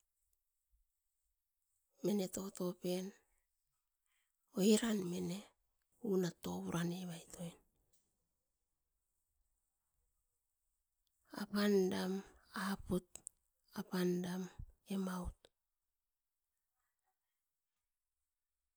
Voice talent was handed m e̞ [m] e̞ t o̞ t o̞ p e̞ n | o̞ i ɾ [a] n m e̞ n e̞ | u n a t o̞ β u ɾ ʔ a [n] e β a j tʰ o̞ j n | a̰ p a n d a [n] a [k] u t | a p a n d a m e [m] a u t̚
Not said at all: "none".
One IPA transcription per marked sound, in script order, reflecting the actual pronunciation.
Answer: n, a, n, m, p, m

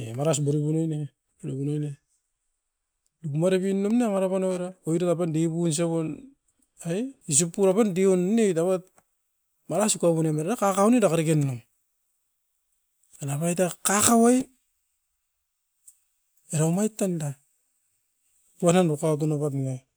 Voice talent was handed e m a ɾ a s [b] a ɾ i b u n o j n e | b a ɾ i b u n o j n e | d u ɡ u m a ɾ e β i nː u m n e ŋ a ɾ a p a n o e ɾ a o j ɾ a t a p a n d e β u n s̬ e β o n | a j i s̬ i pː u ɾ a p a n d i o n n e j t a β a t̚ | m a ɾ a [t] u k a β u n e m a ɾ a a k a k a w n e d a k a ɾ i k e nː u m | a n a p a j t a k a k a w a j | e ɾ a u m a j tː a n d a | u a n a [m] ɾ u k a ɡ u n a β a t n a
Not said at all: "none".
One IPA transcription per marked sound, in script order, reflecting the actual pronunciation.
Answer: b, s, n

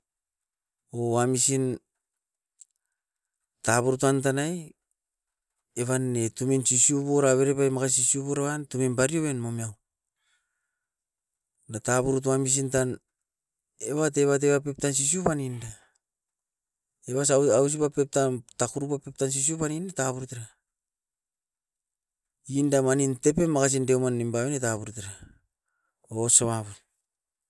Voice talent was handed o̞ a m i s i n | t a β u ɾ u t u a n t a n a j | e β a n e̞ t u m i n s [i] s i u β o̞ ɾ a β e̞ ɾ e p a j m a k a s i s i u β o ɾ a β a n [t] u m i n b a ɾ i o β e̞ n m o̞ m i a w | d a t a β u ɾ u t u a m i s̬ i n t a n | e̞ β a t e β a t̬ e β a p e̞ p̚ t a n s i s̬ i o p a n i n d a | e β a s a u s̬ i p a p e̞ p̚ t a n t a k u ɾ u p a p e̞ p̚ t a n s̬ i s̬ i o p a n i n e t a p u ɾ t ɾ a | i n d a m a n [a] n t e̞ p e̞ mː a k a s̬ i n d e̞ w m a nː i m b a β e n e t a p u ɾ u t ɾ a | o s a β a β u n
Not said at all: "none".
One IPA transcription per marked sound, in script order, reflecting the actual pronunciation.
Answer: i, t, i

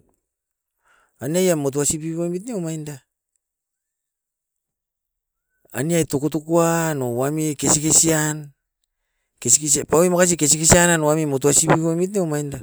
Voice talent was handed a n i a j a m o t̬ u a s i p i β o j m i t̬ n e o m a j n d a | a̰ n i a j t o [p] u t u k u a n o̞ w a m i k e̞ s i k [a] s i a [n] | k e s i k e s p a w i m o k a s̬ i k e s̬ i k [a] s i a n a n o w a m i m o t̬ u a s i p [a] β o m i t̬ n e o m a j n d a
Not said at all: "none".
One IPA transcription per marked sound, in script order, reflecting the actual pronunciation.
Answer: k, e, n, e, i

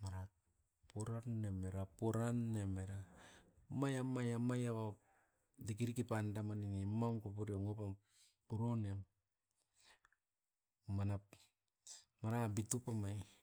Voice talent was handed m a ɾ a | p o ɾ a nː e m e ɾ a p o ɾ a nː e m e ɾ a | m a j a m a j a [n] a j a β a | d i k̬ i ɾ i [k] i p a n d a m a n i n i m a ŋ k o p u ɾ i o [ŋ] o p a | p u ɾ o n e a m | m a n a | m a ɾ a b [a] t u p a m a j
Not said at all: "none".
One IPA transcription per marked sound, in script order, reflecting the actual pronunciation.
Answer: m, k, ŋ, i

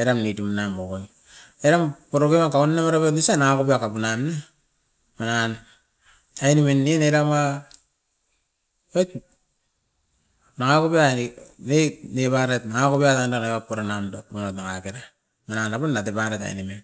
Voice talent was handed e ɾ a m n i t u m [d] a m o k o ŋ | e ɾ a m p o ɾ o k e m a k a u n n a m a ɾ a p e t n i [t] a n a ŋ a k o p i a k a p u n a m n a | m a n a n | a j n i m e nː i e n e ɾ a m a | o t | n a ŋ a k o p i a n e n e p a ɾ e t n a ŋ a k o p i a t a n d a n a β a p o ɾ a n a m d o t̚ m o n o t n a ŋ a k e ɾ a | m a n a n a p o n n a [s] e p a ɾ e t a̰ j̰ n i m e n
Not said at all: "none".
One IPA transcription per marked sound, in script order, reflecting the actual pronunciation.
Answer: n, s, t

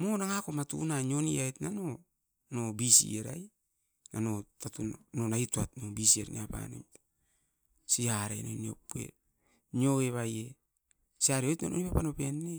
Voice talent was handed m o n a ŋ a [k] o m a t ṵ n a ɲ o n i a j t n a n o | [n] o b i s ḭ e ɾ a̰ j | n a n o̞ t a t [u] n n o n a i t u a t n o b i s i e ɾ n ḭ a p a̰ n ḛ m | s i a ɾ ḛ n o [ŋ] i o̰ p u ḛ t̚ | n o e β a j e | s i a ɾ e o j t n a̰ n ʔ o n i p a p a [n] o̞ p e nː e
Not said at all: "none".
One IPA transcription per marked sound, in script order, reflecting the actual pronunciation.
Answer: k, n, u, n, n

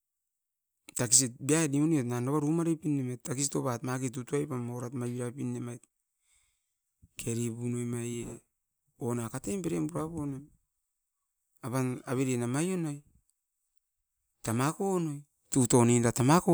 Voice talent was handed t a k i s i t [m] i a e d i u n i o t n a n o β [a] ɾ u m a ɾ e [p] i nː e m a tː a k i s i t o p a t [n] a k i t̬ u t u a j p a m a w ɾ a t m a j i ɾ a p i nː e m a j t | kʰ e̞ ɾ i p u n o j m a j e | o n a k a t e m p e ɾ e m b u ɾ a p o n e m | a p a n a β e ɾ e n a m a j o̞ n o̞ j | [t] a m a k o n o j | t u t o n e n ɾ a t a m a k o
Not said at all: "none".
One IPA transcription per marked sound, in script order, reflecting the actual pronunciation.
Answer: b, a, p, m, t

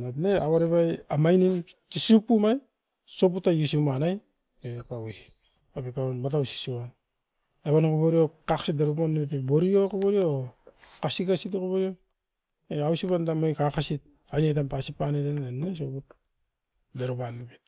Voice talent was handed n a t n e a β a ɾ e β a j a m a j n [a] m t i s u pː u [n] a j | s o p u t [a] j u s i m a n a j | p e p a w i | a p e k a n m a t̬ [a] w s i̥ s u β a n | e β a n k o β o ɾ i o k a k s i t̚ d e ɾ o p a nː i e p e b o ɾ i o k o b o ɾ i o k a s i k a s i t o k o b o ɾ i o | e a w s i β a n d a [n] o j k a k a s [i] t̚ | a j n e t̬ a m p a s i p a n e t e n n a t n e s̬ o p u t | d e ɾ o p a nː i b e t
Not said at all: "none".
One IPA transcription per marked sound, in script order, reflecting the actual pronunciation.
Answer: i, m, a, a, m, i

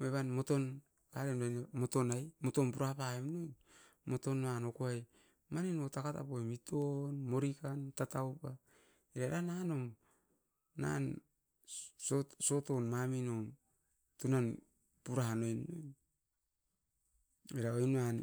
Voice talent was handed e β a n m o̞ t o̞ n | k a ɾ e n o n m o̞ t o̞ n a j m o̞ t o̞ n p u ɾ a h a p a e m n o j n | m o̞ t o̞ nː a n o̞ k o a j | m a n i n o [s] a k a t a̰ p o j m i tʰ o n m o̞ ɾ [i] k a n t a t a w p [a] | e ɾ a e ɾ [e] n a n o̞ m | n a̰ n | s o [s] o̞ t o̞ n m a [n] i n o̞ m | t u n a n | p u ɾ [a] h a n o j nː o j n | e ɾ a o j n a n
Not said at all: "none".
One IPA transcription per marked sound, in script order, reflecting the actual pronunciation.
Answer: t, i, a, a, s, m, a

